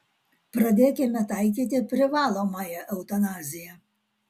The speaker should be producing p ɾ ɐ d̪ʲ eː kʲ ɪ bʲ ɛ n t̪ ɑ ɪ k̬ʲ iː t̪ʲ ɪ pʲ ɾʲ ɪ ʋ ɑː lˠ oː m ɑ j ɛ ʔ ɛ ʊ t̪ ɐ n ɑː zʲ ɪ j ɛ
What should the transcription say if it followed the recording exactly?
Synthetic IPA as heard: p ɾ ɐ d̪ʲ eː kʲ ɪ mʲ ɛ t̪ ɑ ɪ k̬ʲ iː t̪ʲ ɪ pʲ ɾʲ ɪ ʋ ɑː lˠ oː m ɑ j ɛ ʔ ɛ ʊ t̪ ɐ n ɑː zʲ ɪ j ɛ